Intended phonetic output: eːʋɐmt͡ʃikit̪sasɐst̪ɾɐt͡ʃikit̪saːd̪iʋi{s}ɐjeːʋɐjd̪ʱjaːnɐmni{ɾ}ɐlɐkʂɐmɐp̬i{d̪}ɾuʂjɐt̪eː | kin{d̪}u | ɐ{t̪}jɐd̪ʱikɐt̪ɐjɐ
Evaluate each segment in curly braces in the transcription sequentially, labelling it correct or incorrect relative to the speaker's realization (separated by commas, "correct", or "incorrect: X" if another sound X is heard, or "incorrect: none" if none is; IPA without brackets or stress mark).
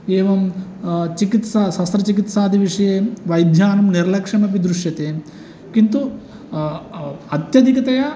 incorrect: ʂ, correct, correct, incorrect: t̪, correct